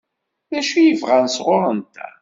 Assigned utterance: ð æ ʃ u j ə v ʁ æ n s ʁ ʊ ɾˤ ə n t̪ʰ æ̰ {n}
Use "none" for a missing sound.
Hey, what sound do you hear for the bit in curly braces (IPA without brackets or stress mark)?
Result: none